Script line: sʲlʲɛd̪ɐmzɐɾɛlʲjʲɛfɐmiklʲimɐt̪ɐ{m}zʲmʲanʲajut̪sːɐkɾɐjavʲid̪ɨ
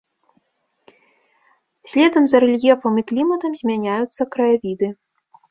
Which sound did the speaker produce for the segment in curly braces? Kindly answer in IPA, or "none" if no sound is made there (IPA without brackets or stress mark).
m